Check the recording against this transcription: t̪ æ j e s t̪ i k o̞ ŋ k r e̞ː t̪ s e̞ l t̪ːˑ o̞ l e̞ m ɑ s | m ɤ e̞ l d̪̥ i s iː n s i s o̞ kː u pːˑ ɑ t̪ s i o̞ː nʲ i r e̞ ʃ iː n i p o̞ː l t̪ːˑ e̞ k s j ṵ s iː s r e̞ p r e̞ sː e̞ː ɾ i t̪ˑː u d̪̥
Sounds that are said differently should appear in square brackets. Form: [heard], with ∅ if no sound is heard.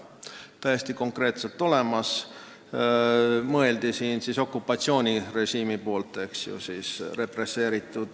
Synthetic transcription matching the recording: t̪ æ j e s t̪ i k o̞ ŋ k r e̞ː t̪ s e̞ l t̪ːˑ o̞ l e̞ m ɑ s | m ɤ e̞ l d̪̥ i s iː n s i s o̞ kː u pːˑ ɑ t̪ s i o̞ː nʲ i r e̞ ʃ iː [m] i p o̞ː l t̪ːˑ e̞ k s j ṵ s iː s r e̞ p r e̞ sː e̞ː ɾ i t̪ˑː u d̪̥